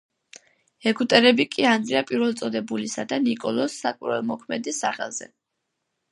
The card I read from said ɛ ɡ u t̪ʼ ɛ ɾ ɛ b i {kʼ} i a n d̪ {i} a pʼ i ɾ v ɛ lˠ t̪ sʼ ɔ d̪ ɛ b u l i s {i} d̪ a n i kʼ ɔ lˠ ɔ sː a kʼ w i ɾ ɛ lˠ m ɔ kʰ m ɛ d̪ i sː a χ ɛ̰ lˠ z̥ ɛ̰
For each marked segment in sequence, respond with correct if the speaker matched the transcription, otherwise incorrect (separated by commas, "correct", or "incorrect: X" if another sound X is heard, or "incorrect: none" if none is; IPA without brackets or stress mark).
correct, correct, incorrect: a